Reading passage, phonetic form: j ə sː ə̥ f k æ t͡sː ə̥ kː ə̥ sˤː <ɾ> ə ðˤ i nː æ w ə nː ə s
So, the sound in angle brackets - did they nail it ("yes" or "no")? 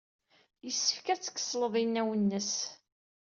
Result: no